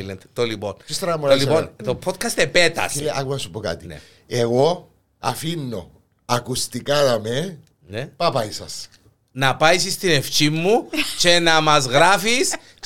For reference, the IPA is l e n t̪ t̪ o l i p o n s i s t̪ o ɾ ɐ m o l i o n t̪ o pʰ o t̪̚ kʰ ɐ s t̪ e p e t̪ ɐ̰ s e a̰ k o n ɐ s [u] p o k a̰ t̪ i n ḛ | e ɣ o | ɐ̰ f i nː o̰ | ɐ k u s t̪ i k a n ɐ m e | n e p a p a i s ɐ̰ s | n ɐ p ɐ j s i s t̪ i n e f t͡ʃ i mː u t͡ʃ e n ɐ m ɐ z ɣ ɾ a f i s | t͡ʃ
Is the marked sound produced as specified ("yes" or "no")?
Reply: yes